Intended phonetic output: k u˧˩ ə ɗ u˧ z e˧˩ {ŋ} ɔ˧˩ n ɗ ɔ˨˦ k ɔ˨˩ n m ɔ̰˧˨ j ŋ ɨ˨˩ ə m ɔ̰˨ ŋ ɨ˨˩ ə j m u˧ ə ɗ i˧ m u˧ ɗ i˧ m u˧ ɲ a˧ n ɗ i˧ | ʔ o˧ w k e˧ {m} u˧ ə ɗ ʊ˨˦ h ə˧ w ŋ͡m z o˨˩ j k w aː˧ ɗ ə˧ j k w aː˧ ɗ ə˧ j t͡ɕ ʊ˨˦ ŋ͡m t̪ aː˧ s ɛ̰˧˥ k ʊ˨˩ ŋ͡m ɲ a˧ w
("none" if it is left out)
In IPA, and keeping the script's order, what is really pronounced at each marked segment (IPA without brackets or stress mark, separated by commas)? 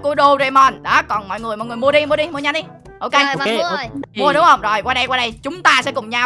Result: m, m